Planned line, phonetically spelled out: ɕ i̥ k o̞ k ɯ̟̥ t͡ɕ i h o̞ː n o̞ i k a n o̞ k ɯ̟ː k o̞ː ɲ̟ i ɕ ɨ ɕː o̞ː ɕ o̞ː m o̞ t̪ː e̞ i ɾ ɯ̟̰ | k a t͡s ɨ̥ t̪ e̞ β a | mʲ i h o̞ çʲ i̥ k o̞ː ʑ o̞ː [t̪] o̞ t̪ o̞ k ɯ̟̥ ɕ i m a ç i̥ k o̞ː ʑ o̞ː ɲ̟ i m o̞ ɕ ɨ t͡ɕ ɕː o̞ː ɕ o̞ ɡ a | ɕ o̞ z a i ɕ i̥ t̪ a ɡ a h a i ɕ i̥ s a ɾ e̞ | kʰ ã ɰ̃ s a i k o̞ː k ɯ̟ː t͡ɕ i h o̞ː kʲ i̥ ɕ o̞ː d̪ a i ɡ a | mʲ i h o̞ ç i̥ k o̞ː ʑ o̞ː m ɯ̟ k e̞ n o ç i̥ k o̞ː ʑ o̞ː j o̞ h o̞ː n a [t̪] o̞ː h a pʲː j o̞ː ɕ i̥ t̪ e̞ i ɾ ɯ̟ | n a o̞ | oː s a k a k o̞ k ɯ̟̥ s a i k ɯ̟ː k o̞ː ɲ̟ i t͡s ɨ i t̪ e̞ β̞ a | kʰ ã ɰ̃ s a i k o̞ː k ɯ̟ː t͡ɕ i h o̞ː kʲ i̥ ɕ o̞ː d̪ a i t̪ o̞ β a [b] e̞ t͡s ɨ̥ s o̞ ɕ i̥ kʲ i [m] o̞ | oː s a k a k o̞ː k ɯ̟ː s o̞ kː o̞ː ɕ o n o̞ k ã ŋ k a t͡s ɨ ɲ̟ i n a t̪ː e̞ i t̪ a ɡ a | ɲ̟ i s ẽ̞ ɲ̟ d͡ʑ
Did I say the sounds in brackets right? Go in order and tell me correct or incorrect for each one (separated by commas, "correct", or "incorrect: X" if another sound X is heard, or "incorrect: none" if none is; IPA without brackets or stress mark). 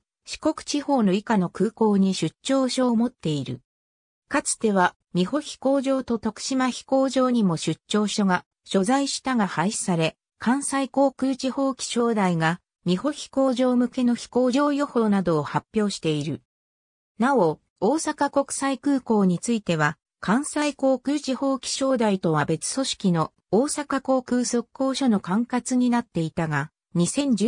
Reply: correct, incorrect: d̪, correct, incorrect: n